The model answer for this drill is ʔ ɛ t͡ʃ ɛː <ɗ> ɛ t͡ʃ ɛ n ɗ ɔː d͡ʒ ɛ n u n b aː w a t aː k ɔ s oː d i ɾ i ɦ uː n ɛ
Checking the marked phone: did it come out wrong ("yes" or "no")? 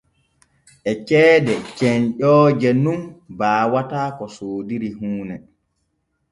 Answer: yes